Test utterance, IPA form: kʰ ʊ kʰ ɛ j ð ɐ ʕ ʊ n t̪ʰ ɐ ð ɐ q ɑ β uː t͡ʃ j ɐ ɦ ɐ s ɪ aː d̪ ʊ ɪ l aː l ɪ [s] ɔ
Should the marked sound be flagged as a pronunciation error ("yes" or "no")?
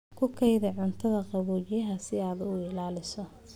no